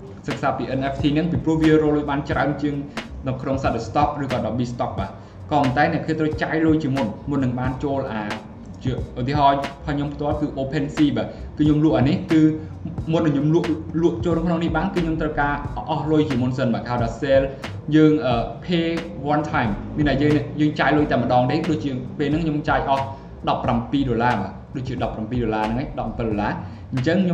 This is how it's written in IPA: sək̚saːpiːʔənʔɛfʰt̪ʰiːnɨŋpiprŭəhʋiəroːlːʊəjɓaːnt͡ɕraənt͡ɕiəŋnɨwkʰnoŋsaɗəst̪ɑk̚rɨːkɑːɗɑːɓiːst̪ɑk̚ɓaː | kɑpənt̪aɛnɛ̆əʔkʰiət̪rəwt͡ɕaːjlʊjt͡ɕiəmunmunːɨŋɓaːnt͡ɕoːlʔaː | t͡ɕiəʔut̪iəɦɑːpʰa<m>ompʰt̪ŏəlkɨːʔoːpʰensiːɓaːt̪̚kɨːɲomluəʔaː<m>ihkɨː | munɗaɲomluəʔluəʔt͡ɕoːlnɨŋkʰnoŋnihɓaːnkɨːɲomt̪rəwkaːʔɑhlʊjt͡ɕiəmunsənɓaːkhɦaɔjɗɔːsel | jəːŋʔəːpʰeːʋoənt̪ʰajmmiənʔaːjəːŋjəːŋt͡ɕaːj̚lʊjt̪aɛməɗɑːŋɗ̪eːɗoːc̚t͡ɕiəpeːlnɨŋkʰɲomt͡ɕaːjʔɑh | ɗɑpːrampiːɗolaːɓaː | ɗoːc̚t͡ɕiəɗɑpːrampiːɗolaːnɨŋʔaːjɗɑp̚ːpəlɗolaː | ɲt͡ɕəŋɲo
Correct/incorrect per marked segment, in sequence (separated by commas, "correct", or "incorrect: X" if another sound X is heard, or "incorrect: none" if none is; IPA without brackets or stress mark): incorrect: ɲ, incorrect: n